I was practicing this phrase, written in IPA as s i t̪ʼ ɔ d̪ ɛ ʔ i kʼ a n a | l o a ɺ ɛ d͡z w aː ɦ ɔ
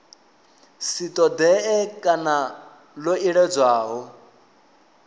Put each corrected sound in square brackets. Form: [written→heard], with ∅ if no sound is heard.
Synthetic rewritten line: s i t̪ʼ ɔ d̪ ɛ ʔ [i→ɛ] kʼ a n a | l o [a→i] ɺ ɛ d͡z w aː ɦ ɔ